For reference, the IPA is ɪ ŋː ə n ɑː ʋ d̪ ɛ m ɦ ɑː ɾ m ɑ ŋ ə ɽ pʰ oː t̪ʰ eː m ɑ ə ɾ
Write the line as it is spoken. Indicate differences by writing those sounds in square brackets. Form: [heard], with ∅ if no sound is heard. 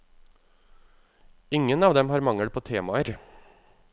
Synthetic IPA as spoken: ɪ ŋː ə n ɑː ʋ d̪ ɛ m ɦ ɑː ɾ m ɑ ŋ ə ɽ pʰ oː t̪ʰ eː m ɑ ə ɾ